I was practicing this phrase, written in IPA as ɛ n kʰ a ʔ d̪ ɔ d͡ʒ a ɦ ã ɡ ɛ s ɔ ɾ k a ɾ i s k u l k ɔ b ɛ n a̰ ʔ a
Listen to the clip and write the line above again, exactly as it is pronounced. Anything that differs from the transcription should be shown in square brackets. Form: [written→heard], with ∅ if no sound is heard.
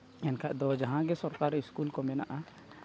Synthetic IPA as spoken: ɛ n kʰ a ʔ d̪ ɔ d͡ʒ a ɦ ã ɡ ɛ s ɔ ɾ k a ɾ i s k u l k ɔ [b→m] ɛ n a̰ ʔ a